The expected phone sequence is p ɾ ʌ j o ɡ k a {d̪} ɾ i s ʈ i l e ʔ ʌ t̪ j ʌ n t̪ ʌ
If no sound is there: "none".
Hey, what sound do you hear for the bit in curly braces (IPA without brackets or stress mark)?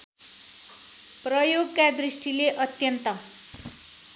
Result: d̪